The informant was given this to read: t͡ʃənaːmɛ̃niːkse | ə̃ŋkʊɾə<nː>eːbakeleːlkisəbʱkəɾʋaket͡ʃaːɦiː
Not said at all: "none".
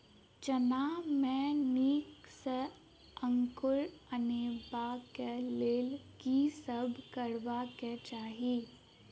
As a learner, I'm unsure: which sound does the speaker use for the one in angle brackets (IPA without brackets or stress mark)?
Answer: n